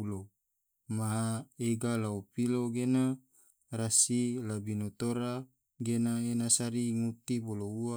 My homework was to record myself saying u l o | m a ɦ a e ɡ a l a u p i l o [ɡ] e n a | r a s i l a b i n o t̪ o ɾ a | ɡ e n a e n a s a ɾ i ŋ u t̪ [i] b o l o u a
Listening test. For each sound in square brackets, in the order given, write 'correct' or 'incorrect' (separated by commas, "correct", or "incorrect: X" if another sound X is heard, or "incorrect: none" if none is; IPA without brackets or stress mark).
correct, correct